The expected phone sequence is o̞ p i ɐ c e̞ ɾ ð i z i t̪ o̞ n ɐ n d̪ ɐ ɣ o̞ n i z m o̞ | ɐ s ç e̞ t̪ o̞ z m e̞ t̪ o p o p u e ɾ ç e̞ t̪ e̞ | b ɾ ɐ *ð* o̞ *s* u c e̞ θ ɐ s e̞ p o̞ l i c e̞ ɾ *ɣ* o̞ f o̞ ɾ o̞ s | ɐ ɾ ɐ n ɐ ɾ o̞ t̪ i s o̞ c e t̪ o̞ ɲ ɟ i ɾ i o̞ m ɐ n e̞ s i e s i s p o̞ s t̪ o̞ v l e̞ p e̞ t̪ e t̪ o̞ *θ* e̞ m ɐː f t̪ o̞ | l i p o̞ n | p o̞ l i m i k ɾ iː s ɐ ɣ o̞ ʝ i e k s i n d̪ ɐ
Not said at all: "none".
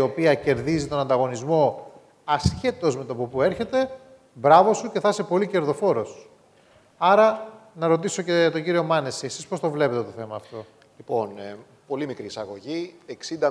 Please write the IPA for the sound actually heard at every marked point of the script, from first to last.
v, s, ð, θ

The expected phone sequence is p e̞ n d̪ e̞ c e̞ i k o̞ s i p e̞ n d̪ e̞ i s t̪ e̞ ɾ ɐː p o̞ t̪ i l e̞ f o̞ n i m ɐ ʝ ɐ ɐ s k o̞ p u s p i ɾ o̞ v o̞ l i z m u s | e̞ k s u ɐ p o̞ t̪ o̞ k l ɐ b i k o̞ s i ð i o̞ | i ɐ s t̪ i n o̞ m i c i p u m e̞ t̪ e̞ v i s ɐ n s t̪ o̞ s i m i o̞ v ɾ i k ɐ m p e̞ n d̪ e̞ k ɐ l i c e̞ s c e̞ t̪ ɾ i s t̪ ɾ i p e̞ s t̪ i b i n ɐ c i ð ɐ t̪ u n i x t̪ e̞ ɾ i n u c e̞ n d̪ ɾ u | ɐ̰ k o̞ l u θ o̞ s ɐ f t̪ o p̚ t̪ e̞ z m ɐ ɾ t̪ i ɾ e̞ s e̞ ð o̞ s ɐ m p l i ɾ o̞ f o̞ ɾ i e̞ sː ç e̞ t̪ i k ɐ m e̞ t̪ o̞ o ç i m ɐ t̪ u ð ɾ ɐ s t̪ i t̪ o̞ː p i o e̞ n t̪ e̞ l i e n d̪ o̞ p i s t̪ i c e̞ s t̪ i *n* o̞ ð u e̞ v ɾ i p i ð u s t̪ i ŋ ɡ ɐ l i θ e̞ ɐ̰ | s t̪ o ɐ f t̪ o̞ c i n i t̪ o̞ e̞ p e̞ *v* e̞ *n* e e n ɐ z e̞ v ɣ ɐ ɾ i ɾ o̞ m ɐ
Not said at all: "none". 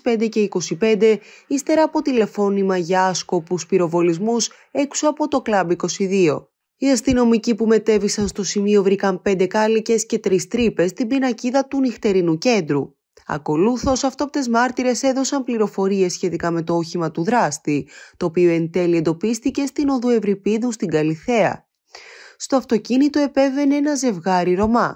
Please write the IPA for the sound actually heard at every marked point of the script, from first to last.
n, v, n

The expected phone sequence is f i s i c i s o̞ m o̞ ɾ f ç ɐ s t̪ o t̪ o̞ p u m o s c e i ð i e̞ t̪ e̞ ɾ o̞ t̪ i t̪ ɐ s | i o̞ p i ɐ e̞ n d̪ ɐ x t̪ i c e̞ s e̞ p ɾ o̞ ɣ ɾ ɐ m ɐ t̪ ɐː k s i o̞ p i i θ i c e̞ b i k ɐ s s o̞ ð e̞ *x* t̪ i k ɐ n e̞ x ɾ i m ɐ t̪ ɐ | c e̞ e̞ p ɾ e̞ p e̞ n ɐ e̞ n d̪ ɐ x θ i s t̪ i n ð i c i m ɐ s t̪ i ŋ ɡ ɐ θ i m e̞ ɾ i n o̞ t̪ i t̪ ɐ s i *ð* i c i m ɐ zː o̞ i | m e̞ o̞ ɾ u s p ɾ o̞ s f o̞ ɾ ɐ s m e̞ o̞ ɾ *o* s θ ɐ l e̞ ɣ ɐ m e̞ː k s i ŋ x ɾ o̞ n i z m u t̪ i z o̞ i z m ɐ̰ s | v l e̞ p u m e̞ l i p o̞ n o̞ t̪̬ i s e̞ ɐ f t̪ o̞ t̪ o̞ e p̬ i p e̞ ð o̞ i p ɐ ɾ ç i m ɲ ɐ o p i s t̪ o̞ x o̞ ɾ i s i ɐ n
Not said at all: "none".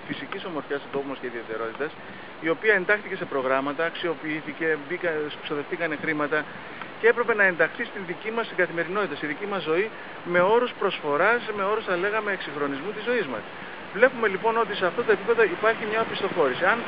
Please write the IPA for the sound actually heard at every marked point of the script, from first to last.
f, ð, u

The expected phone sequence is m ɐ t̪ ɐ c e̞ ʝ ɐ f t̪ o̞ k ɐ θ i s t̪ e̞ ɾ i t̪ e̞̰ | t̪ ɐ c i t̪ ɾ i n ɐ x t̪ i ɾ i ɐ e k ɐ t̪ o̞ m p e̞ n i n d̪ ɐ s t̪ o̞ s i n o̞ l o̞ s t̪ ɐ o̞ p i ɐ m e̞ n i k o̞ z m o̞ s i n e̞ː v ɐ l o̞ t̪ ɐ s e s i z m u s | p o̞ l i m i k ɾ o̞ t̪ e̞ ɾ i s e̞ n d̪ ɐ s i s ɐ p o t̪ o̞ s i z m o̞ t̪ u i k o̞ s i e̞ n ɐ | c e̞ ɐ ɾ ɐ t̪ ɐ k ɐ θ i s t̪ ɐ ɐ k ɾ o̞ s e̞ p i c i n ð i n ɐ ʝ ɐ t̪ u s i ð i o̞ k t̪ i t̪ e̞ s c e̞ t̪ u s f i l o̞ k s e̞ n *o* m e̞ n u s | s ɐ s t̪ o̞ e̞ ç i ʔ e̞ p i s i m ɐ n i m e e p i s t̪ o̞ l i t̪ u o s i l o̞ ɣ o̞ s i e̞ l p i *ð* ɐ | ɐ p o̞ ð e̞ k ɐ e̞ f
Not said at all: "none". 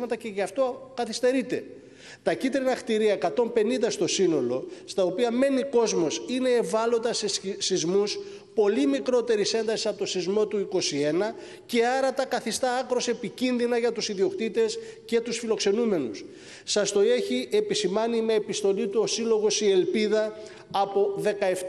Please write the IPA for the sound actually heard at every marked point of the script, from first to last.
u, ð

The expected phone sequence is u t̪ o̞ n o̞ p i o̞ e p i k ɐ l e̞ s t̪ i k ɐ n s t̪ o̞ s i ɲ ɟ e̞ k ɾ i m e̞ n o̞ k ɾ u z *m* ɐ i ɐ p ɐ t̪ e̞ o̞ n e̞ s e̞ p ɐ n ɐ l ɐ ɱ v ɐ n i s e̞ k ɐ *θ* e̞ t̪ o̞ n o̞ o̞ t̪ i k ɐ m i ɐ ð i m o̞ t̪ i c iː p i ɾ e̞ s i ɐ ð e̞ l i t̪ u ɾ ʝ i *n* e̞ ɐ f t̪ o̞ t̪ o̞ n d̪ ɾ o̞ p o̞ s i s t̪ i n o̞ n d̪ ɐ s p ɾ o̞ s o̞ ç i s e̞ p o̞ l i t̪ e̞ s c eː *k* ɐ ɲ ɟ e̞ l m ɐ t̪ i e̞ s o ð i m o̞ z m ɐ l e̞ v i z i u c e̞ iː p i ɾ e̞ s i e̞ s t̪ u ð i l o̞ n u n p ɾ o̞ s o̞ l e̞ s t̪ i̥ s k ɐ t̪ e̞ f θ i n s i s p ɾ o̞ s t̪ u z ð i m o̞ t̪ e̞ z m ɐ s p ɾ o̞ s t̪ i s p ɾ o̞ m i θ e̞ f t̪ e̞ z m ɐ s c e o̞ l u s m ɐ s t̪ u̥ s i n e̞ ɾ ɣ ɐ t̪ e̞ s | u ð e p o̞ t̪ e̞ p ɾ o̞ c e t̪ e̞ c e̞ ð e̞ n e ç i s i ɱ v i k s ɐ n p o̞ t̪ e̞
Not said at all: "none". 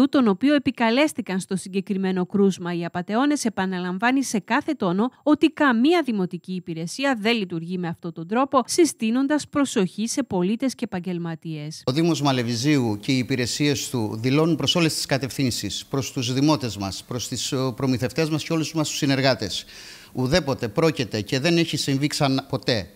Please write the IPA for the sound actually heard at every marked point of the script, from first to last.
m, θ, m, p

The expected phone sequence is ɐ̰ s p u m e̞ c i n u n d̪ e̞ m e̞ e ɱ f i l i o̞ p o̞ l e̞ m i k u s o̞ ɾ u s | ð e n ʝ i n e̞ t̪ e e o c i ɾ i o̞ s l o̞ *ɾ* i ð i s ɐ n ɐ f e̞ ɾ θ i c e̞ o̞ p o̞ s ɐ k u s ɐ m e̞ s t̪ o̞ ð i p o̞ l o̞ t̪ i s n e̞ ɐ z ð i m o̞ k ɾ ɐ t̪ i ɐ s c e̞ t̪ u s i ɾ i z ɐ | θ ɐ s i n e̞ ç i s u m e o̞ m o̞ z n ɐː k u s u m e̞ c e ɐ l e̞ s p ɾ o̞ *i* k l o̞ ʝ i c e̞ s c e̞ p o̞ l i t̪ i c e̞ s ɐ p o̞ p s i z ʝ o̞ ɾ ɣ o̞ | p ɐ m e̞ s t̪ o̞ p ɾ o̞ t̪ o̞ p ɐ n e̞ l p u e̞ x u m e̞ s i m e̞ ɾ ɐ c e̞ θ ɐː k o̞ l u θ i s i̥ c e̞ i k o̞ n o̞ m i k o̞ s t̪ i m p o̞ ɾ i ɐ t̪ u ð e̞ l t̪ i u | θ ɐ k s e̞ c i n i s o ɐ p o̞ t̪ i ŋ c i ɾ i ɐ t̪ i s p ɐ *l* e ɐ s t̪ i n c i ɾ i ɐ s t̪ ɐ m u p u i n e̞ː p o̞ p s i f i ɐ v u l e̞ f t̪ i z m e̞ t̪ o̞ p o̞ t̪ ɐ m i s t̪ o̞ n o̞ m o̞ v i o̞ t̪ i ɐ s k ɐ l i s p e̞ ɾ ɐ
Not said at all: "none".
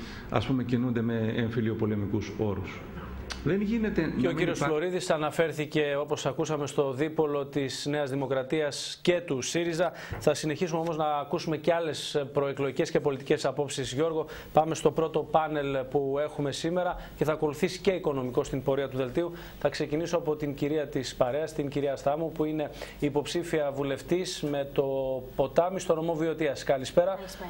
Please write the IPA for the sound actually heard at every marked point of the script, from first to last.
ɾ, e, ɾ

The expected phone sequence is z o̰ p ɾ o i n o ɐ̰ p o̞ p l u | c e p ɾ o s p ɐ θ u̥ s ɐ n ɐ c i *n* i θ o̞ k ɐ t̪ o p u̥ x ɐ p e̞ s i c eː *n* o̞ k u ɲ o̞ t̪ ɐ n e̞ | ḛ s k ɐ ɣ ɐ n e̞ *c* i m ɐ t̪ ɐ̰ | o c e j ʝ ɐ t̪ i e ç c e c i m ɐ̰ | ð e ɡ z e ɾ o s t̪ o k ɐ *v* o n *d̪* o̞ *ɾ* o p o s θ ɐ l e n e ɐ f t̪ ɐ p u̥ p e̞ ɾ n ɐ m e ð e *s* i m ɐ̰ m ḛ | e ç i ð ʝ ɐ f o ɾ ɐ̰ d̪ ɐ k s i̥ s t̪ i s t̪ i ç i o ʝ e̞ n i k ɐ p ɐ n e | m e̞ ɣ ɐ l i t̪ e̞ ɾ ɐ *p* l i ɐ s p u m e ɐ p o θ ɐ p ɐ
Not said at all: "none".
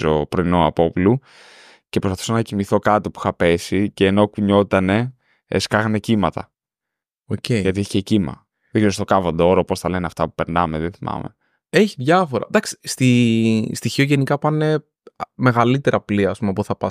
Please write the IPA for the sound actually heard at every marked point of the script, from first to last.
m, n, c, v, d̪, ɾ, θ, p

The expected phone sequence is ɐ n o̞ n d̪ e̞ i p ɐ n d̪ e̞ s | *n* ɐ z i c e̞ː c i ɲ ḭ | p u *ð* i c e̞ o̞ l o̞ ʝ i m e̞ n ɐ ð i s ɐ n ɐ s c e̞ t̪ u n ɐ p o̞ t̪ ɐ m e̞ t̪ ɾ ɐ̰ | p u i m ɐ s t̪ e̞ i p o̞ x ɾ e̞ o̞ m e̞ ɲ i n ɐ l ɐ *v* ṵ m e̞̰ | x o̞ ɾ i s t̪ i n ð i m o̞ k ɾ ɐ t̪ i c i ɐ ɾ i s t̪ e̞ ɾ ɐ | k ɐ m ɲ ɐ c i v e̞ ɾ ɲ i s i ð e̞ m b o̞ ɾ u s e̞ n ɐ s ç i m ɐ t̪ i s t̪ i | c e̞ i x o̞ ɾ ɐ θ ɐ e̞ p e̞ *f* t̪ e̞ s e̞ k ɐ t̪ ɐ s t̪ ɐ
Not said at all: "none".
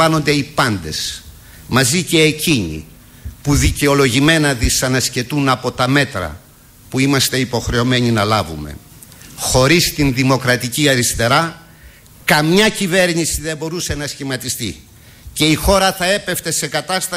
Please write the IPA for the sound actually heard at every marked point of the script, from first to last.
m, ð, v, f

